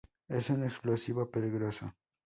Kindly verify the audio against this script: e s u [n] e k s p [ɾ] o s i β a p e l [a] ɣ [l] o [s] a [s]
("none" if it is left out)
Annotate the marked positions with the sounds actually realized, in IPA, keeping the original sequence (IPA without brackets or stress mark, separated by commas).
n, l, i, ɾ, s, none